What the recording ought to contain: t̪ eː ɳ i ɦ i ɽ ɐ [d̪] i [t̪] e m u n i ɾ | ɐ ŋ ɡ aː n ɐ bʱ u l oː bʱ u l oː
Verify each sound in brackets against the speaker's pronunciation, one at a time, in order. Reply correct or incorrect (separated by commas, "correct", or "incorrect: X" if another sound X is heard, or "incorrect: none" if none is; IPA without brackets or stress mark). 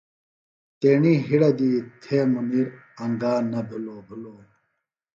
correct, incorrect: t̪ʰ